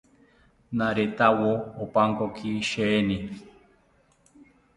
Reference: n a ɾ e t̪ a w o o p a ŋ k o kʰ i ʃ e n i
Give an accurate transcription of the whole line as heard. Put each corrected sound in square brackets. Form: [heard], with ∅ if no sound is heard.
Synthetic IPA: n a ɾ e t̪ a w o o p a ŋ k o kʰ i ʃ e n i